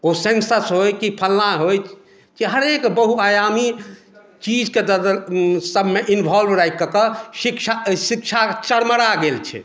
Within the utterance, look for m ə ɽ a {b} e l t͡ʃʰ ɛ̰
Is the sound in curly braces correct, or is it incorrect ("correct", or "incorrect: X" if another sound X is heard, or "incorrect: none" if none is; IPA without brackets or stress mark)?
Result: incorrect: ɡ